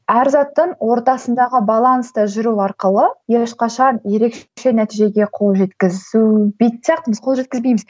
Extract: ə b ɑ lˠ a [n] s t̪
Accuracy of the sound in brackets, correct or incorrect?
correct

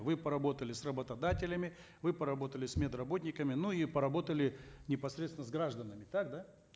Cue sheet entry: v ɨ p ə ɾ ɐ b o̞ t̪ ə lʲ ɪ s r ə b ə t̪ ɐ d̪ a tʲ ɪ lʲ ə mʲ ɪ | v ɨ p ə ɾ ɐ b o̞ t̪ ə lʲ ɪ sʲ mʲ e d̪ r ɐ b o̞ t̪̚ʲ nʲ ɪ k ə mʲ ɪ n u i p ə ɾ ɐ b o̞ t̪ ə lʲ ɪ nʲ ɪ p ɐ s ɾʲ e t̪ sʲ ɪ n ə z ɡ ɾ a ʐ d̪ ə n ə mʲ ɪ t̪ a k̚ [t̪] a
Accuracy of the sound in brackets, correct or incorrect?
incorrect: d̪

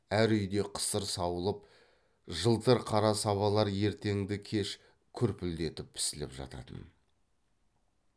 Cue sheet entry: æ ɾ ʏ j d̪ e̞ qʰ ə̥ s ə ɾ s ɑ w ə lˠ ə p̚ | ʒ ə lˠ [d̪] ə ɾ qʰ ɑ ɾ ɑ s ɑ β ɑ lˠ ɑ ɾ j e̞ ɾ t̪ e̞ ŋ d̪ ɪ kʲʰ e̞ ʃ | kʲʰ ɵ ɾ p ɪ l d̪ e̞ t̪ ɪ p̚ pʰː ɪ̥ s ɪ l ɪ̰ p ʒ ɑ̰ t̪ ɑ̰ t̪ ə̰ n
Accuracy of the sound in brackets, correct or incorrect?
incorrect: t̪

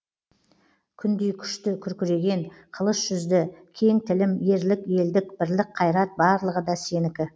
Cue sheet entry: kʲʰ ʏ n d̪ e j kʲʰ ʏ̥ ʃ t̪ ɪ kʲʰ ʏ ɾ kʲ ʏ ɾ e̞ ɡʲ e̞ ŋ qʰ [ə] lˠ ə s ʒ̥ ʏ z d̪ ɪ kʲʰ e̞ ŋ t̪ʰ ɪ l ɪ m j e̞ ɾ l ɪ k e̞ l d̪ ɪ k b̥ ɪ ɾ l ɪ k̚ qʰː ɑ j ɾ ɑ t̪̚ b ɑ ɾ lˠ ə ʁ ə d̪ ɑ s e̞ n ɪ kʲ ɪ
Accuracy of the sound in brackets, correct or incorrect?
correct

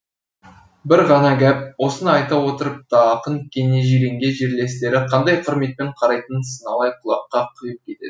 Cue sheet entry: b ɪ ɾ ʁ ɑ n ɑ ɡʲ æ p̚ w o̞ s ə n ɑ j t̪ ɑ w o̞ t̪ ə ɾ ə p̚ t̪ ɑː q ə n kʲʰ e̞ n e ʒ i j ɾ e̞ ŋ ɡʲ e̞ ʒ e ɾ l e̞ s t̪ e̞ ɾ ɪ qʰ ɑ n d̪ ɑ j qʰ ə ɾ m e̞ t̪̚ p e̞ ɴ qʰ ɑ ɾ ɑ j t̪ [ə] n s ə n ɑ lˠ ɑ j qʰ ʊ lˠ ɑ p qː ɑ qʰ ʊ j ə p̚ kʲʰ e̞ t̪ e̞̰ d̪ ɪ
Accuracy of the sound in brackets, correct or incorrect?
correct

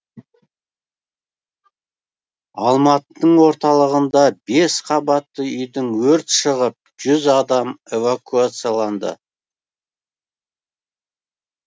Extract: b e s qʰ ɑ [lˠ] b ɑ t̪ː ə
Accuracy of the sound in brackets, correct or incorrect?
incorrect: none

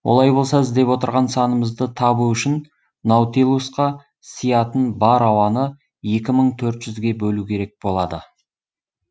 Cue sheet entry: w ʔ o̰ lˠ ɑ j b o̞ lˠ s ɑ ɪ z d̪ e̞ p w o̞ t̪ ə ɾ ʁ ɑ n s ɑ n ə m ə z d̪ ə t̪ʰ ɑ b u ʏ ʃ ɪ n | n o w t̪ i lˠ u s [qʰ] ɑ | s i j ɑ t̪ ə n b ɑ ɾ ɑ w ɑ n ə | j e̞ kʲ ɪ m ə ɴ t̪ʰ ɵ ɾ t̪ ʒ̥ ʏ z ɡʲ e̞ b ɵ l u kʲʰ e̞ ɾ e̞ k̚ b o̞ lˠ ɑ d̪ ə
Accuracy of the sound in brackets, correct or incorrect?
incorrect: q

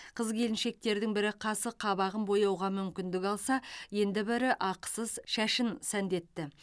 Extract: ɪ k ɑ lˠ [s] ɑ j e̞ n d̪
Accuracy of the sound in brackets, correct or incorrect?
correct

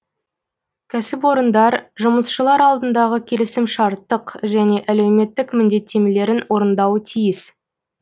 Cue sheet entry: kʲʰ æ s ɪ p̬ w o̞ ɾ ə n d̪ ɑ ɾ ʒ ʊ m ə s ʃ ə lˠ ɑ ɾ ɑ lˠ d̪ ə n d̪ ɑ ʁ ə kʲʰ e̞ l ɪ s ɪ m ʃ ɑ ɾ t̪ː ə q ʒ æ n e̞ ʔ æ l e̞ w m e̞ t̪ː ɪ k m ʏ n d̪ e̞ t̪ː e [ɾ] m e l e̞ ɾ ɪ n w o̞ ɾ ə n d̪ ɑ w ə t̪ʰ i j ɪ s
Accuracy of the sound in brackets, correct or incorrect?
incorrect: none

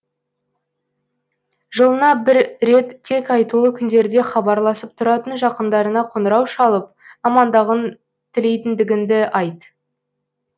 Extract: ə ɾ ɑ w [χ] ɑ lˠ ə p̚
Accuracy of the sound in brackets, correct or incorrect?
incorrect: ʃ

